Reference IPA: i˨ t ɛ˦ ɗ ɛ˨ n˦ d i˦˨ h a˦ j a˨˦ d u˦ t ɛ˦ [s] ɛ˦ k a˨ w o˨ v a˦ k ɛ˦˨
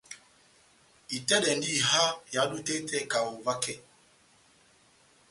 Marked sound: incorrect: t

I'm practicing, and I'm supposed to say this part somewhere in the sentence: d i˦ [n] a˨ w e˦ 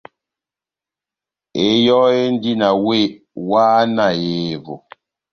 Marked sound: correct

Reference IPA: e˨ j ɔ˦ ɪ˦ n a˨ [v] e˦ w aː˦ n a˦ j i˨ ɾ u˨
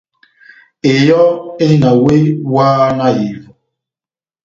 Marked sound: incorrect: w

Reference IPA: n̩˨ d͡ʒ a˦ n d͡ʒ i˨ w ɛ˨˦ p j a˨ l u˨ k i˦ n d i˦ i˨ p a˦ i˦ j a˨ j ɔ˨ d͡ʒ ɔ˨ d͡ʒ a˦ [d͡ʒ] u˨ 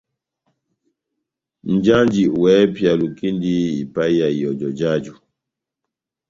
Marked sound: correct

